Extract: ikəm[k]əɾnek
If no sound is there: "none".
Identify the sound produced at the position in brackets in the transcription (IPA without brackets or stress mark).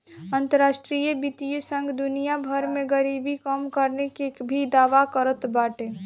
k